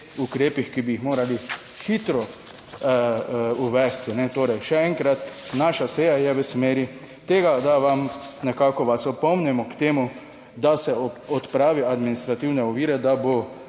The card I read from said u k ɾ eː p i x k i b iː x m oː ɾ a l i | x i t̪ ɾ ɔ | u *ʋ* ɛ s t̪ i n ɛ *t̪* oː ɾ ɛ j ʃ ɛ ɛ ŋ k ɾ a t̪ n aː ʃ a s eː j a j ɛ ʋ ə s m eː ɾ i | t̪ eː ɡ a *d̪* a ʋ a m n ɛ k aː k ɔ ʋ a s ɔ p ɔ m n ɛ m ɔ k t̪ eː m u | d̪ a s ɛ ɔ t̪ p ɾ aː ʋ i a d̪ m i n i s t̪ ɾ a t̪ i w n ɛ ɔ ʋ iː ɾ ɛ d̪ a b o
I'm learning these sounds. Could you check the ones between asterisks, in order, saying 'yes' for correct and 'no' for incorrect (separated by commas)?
yes, yes, yes